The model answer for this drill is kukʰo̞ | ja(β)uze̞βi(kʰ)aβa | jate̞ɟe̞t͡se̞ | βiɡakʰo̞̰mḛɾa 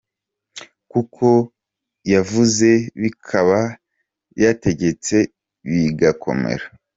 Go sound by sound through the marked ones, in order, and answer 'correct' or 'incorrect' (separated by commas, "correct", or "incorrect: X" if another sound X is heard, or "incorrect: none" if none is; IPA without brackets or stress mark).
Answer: incorrect: v, correct